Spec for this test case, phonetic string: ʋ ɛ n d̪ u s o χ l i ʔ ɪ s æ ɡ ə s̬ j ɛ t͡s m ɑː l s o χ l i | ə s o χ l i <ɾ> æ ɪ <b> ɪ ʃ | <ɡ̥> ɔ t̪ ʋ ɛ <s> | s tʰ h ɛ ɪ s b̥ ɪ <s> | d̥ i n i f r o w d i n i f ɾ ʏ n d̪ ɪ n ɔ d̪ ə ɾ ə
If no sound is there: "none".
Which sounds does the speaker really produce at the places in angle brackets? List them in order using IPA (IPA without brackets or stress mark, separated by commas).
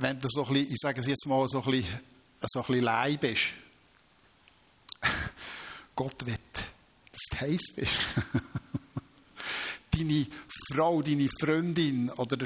l, b, ɡ̥, t, ʃ